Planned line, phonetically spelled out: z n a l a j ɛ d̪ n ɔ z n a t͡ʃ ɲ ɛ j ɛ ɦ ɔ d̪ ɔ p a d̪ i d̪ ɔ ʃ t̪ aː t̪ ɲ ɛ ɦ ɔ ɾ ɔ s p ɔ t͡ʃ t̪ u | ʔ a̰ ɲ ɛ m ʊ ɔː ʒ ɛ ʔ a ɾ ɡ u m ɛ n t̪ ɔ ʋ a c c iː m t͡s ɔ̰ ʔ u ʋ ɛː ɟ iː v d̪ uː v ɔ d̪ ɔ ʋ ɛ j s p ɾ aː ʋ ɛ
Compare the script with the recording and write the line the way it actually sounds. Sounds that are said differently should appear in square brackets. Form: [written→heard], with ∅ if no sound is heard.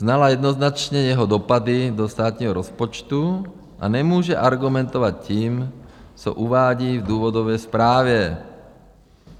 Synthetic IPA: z n a l a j ɛ d̪ n ɔ z n a t͡ʃ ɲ ɛ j ɛ ɦ ɔ d̪ ɔ p a d̪ i d̪ ɔ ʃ t̪ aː t̪ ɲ ɛ ɦ ɔ ɾ ɔ s p ɔ t͡ʃ t̪ u | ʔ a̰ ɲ ɛ m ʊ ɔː ʒ ɛ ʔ a ɾ ɡ u m ɛ n t̪ ɔ ʋ a c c iː m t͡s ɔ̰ ʔ u ʋ [ɛː→aː] ɟ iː v d̪ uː [v→ʋ] ɔ d̪ ɔ ʋ ɛ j s p ɾ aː ʋ ɛ

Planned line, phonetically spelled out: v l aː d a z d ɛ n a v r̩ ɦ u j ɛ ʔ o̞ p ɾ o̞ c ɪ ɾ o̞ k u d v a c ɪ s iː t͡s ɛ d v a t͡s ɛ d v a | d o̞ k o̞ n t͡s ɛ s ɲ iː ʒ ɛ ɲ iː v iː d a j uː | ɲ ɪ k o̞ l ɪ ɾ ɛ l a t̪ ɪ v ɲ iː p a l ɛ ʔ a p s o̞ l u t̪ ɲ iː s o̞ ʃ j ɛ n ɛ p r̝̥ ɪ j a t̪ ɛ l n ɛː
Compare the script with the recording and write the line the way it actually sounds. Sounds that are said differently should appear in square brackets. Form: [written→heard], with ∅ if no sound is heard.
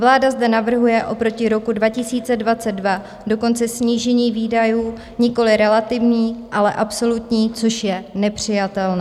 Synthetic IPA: v l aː d a z d ɛ n a v r̩ ɦ u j ɛ ʔ o̞ p ɾ o̞ c ɪ ɾ o̞ k u d v a c ɪ s iː t͡s ɛ d v a t͡s ɛ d v a | d o̞ k o̞ n t͡s ɛ s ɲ iː ʒ ɛ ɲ iː v iː d a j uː | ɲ ɪ k o̞ l ɪ ɾ ɛ l a t̪ ɪ v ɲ iː [p→ʔ] a l ɛ ʔ a p s o̞ l u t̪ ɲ iː [s→t͡s] o̞ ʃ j ɛ n ɛ p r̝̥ ɪ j a t̪ ɛ l n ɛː

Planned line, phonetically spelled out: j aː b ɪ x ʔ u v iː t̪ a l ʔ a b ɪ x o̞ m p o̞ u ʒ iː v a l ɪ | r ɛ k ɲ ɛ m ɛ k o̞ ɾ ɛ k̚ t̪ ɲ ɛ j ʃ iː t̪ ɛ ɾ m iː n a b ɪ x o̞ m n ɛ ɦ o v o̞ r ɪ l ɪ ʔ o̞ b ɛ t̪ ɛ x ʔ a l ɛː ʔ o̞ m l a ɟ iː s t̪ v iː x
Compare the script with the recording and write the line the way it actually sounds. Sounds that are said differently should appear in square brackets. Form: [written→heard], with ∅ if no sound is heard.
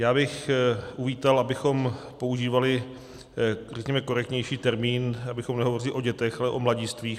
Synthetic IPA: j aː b ɪ x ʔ u v iː t̪ a l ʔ a b ɪ x o̞ m p o̞ u ʒ iː v a l ɪ | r ɛ k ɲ ɛ m ɛ k o̞ ɾ ɛ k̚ t̪ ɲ ɛ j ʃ iː t̪ ɛ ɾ m iː n a b ɪ x o̞ m n ɛ ɦ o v o̞ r ɪ l ɪ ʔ o̞ [b→ɟ] ɛ t̪ ɛ x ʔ a l [ɛː→ɛ] ʔ o̞ m l a ɟ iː s t̪ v iː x

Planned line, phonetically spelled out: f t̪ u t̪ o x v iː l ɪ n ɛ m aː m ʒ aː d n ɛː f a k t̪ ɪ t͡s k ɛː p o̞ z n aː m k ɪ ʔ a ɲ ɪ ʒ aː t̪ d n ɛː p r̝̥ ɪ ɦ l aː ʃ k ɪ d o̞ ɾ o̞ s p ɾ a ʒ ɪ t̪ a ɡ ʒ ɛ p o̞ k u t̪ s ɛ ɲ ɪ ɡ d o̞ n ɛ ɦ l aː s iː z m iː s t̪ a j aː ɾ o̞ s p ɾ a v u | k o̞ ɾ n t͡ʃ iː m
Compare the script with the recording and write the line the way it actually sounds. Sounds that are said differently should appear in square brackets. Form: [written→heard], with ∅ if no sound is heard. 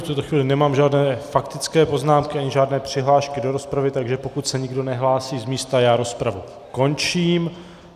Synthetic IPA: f t̪ u t̪ o x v iː l ɪ n ɛ m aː m ʒ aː d n ɛː f a k t̪ ɪ t͡s k ɛː p o̞ z n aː m k ɪ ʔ a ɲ ɪ ʒ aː [t̪→∅] d n ɛː p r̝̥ ɪ ɦ l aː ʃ k ɪ d o̞ ɾ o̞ s p ɾ a [ʒ→v] ɪ t̪ a ɡ ʒ ɛ p o̞ k u t̪ s ɛ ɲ ɪ ɡ d o̞ n ɛ ɦ l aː s iː z m iː s t̪ a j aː ɾ o̞ s p ɾ a v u | k o̞ [ɾ→∅] n t͡ʃ iː m

